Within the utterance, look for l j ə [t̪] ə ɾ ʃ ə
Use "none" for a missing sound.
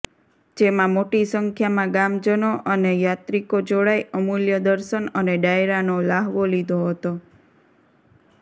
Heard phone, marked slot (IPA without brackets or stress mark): d̪